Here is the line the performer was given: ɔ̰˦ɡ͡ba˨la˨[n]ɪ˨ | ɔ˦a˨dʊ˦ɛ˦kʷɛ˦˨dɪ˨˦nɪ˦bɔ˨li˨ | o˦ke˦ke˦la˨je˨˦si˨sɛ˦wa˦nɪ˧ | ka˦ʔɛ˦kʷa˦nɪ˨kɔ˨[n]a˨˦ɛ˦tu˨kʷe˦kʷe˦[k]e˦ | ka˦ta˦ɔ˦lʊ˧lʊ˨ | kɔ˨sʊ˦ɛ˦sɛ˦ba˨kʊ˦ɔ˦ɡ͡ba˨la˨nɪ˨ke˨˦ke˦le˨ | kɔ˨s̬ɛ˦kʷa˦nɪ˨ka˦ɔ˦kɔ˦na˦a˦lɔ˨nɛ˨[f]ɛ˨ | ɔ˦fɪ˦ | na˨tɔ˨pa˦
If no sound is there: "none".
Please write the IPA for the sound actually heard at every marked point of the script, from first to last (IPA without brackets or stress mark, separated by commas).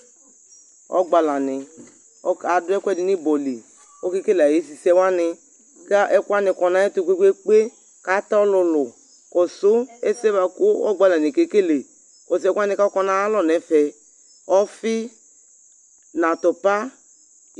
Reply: n, n, k͡p, f